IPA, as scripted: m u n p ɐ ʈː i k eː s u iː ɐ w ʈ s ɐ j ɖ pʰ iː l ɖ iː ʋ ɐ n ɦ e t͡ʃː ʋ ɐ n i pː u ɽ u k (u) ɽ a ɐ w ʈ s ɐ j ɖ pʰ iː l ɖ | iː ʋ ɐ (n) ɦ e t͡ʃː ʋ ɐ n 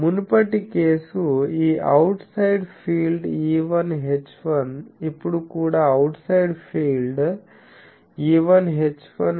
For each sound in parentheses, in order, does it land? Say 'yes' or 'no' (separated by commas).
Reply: no, yes